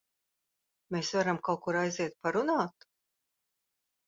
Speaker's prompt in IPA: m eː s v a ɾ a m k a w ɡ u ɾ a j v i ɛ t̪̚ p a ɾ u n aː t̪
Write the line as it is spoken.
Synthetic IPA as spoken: m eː s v a ɾ a m k a w k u ɾ a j z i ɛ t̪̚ p a ɾ u n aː t̪